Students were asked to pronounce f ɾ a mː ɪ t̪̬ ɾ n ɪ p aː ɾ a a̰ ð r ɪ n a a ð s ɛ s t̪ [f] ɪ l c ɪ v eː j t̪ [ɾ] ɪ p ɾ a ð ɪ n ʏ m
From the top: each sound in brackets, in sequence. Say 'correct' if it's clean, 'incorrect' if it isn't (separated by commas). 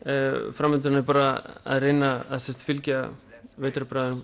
correct, correct